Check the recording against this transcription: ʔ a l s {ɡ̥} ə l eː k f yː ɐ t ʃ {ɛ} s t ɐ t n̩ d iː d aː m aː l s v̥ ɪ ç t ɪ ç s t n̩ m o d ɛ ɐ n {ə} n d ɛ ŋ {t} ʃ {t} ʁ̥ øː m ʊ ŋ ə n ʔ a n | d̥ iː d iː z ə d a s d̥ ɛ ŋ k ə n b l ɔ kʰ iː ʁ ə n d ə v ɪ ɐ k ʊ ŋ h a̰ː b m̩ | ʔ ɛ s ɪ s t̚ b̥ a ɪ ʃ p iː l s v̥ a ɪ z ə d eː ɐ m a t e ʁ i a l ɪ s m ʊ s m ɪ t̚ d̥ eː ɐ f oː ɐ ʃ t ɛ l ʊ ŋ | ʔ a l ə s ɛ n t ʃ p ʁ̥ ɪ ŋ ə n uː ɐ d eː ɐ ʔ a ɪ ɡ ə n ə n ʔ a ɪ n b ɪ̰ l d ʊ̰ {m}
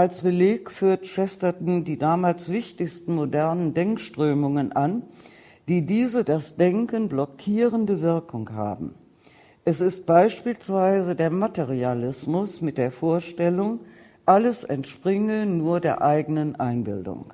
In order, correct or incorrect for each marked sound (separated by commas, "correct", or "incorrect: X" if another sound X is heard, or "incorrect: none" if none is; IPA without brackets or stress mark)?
incorrect: b̥, correct, correct, incorrect: k, correct, incorrect: ŋ